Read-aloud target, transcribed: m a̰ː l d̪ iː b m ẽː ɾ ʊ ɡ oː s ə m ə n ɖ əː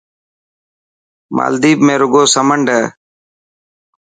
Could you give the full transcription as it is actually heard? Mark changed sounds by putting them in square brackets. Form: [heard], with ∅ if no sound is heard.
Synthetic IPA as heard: m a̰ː l d̪ iː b m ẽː ɾ ʊ ɡ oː s ə m ə [ɳ] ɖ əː